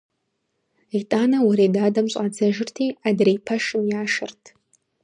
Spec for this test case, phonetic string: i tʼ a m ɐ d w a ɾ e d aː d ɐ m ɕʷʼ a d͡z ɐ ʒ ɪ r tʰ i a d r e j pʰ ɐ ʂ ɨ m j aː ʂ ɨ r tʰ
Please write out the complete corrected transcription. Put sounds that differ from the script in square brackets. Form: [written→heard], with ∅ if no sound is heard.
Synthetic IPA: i tʼ a [m→n] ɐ [d→∅] w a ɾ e d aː d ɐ m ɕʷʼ a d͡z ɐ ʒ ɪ r tʰ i a d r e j pʰ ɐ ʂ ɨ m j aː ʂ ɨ r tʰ